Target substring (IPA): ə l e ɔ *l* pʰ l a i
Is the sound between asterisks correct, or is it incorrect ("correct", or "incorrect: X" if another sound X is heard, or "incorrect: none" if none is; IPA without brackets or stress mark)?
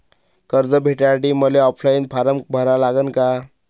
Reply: incorrect: none